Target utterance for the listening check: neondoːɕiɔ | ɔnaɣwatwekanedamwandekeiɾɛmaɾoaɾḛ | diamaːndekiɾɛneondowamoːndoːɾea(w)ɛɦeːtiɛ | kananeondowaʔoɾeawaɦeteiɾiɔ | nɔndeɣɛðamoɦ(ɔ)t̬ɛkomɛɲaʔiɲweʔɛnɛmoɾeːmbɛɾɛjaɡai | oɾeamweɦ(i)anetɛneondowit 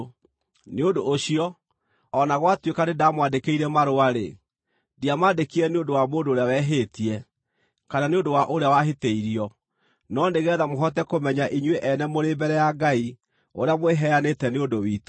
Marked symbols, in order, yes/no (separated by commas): yes, yes, no